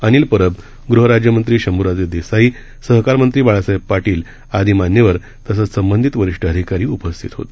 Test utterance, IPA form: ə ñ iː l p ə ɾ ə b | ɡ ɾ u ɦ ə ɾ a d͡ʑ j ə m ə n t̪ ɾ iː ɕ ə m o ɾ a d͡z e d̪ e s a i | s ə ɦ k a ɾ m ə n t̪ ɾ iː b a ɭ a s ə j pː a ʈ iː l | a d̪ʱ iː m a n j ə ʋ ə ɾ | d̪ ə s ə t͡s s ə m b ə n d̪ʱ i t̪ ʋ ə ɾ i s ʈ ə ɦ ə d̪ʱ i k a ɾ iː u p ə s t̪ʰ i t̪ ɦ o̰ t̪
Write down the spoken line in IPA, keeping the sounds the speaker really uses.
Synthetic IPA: ə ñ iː l p ə ɾ ə b | ɡ ɾ u ɦ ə ɾ a d͡ʑ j ə m ə n t̪ ɾ iː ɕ ə m u ɾ a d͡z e d̪ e s a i | s ə ɦ k a ɾ m ə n t̪ ɾ iː b a ɭ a s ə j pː a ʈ iː l | a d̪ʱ iː m a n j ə ʋ ə ɾ | t̪ ə s ə t͡s s ə m b ə n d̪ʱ i t̪ ʋ ə ɾ i ʂ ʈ ə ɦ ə d̪ʱ i k a ɾ iː u p ə s t̪ʰ i t̪ ɦ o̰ t̪